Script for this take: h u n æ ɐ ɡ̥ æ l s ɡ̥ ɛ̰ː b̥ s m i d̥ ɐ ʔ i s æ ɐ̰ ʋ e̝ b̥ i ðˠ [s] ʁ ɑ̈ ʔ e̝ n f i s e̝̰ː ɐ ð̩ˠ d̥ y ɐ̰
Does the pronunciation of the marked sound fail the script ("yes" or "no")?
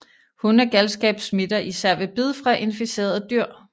yes